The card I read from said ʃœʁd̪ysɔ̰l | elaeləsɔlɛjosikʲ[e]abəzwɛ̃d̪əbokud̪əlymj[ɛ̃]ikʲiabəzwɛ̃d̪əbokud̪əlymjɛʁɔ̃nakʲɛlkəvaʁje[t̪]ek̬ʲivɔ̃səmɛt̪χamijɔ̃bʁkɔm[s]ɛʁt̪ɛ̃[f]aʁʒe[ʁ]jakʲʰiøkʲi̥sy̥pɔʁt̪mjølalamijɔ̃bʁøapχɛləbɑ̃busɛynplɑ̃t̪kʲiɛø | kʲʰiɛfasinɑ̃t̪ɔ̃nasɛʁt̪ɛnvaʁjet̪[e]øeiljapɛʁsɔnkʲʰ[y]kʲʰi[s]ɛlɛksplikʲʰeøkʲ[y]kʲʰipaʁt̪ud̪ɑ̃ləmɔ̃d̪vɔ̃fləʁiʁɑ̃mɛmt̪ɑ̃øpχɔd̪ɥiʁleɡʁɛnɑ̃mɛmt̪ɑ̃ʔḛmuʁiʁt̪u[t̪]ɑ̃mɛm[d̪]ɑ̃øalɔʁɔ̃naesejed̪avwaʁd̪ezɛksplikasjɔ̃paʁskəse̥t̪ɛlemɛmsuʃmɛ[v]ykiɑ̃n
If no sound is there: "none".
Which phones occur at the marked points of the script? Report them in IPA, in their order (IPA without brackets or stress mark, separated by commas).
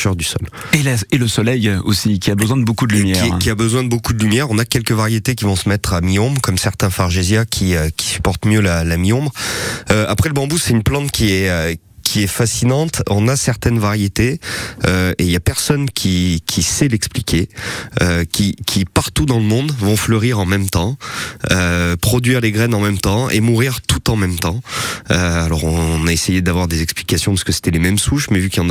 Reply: i, ɛ, t̪, s, f, z, e, i, s, i, t̪, t̪, v